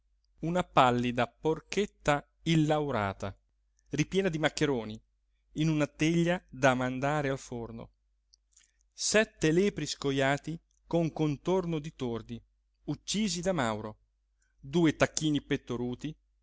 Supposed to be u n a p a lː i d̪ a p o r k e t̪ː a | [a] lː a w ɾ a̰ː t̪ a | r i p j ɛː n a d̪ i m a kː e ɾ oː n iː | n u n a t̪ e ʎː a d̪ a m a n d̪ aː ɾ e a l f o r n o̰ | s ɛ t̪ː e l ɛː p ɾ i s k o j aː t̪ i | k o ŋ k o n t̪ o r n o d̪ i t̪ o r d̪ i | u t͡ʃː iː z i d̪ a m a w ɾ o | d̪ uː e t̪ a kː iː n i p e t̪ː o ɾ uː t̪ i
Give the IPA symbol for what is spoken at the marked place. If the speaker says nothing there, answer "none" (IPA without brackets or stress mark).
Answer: i